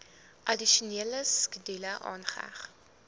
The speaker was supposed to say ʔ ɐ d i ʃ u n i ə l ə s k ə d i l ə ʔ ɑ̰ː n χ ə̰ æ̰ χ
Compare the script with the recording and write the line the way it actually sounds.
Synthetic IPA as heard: ʔ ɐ d i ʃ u n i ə l ə s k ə d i l ə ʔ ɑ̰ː n χ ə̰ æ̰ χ